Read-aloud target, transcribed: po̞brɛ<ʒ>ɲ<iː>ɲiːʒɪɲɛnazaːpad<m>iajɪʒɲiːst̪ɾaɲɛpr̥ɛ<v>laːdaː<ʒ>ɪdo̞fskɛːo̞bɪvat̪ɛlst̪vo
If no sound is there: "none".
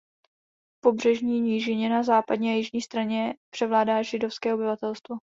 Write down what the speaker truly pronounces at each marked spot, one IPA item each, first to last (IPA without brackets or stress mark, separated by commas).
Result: ʒ, iː, ɲ, v, ʒ